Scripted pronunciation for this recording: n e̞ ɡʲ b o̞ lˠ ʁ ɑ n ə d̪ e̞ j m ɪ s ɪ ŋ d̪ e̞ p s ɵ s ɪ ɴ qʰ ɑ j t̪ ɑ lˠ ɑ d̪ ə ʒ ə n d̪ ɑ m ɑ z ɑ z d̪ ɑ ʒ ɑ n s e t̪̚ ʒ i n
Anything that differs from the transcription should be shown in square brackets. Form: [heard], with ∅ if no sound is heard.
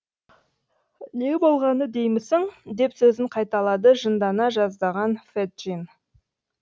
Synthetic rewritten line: n e̞ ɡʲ b o̞ lˠ ʁ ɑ n ə d̪ e̞ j m ɪ s ɪ ŋ d̪ e̞ p s ɵ [z] ɪ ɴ qʰ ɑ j t̪ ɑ lˠ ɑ d̪ ə ʒ ə n d̪ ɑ [n] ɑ [ʒ] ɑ z d̪ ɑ [ʁ] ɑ n [f] e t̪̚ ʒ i n